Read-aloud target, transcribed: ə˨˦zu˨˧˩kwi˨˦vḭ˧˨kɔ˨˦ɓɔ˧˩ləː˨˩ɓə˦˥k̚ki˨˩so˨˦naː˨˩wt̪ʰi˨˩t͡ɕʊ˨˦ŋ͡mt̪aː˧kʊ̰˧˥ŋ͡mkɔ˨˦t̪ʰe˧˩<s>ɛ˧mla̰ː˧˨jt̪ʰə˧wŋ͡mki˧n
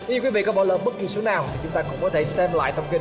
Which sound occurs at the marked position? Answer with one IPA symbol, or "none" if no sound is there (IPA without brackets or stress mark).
s